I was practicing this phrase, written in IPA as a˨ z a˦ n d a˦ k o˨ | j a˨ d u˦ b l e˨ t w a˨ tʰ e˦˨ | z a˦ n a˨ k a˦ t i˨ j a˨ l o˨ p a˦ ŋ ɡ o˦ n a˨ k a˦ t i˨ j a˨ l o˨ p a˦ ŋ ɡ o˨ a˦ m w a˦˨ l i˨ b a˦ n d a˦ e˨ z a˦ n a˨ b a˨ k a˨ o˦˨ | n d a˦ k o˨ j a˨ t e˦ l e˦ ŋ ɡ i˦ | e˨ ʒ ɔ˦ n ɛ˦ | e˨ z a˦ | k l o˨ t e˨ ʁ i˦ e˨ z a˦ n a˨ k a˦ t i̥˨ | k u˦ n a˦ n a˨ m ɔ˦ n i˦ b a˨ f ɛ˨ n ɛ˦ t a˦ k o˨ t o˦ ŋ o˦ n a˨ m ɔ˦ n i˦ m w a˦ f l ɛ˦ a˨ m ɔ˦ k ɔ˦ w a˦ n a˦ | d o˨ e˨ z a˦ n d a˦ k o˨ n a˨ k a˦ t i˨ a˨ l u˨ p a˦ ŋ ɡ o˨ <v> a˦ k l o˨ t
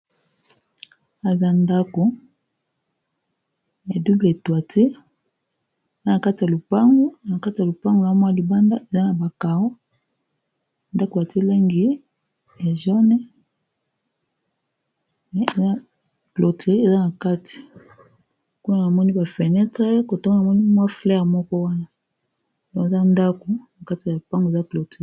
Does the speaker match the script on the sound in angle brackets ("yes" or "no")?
no